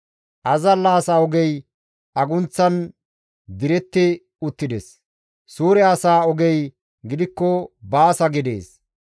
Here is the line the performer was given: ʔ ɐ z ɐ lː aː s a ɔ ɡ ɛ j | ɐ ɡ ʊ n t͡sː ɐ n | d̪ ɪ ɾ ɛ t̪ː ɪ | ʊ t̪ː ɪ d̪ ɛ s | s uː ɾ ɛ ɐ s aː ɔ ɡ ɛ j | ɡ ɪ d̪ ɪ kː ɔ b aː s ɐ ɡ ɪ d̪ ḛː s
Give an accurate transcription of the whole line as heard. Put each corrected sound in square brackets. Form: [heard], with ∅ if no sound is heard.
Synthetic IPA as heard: ʔ ɐ z ɐ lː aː s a ɔ ɡ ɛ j | ɐ ɡ ʊ n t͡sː ɐ n | d̪ ɪ ɾ ɛ t̪ː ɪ | ʊ t̪ː ɪ d̪ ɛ s | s uː ɾ ɛ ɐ s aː ɔ ɡ ɛ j | ɡ ɪ d̪ ɪ kː ɔ b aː s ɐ ɡ ɪ d̪ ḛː s